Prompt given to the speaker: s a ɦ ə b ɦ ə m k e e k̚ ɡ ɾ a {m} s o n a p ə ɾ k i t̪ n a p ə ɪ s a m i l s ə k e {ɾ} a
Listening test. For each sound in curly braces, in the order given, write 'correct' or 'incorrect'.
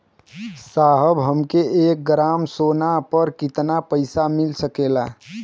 correct, incorrect: l

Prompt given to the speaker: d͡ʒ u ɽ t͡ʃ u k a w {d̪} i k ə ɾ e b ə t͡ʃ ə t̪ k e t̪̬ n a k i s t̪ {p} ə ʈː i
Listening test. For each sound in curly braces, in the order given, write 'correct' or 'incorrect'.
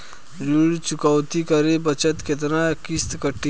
incorrect: t̪, incorrect: k

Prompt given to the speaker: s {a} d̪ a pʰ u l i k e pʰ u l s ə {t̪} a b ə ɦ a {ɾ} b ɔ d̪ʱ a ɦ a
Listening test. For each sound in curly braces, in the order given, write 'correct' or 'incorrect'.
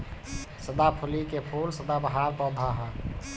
incorrect: ə, incorrect: d̪, correct

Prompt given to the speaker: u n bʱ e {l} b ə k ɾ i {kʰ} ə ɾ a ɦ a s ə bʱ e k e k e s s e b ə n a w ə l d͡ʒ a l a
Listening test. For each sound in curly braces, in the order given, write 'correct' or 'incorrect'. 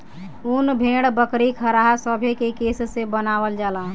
incorrect: ɽ, correct

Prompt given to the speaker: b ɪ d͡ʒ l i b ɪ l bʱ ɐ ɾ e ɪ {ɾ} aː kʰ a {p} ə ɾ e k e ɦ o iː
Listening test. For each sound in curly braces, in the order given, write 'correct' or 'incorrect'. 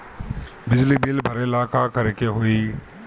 incorrect: l, incorrect: k

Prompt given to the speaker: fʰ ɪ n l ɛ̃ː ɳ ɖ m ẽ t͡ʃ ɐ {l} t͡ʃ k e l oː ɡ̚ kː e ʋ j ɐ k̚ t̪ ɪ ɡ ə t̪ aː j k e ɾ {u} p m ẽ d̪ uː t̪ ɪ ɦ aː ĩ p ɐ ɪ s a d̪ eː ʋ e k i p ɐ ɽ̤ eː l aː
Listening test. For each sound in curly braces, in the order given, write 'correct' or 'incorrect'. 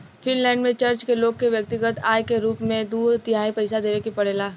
incorrect: ɾ, incorrect: uː

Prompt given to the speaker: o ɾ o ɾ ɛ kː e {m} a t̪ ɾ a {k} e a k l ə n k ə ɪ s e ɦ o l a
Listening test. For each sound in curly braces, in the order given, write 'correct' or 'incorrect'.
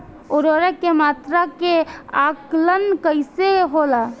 correct, correct

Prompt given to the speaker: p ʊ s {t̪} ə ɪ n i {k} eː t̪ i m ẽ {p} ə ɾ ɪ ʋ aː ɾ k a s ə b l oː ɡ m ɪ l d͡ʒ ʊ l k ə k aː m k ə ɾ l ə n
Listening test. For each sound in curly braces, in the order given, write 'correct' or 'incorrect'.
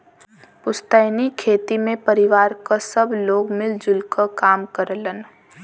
correct, incorrect: kʰ, correct

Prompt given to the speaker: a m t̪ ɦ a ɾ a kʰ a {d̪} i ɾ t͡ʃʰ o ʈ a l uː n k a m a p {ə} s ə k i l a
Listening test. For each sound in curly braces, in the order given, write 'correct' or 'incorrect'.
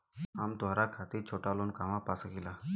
incorrect: t̪, incorrect: a

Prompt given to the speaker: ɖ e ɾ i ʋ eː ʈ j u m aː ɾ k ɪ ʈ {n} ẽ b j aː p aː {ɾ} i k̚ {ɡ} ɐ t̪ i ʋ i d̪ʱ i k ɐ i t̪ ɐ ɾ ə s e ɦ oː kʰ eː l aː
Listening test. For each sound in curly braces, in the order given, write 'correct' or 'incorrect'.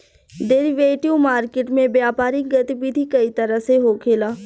incorrect: m, correct, correct

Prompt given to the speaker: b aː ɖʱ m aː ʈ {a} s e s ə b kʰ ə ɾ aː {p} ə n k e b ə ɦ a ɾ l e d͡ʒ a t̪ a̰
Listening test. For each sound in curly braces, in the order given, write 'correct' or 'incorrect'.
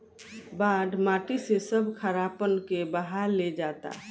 incorrect: i, correct

